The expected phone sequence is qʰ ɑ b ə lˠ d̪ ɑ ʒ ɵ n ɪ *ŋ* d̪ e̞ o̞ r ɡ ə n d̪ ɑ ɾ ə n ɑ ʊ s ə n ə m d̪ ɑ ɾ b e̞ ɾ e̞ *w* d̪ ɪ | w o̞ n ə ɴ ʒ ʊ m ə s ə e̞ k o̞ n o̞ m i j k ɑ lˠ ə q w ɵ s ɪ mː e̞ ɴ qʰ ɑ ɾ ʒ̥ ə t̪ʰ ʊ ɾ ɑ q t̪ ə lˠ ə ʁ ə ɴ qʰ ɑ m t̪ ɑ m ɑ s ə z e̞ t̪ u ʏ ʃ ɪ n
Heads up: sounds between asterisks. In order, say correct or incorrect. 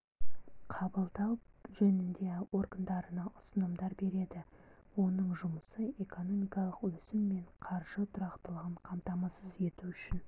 incorrect, incorrect

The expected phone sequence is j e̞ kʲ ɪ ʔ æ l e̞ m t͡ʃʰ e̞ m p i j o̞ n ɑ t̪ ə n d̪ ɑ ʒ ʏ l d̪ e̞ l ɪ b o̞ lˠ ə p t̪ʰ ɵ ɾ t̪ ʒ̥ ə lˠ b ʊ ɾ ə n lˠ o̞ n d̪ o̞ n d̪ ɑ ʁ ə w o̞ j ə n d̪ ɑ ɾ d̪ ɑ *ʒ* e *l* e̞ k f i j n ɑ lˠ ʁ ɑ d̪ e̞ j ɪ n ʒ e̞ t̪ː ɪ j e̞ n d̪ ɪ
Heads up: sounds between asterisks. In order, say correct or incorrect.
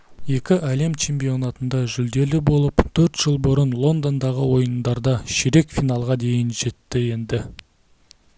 incorrect, incorrect

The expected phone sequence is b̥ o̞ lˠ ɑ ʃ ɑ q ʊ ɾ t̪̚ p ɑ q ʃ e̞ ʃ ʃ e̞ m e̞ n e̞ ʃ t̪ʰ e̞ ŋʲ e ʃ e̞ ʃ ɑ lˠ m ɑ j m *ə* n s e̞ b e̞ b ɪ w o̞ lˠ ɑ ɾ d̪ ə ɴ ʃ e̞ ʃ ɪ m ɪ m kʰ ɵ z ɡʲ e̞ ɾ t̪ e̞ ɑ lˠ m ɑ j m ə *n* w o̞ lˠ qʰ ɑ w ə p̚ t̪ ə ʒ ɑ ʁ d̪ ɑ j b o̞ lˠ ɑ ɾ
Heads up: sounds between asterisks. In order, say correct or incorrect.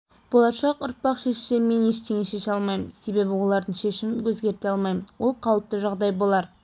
correct, correct

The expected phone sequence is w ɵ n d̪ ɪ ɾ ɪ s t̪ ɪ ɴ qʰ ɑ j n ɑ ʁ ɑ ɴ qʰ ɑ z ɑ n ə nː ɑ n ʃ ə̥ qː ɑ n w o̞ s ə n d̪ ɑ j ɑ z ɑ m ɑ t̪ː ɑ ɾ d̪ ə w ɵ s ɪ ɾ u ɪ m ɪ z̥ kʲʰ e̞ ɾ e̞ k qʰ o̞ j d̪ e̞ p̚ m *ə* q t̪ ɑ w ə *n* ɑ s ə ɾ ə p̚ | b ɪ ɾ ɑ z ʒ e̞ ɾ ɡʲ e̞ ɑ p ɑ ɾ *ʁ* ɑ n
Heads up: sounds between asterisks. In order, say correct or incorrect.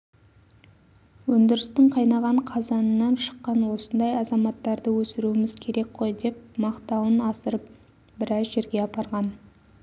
incorrect, correct, correct

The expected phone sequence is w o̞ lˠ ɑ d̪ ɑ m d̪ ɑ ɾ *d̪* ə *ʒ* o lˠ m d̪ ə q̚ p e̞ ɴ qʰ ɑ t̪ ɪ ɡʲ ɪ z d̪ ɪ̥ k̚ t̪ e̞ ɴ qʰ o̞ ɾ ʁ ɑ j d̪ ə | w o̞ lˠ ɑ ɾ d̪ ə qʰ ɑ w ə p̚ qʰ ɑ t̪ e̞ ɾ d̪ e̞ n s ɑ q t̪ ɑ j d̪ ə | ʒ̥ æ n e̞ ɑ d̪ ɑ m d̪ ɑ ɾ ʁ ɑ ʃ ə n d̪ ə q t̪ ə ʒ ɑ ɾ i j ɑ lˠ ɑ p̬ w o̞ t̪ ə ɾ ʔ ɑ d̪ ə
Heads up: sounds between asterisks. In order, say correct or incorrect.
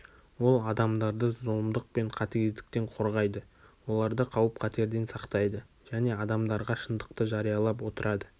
correct, incorrect

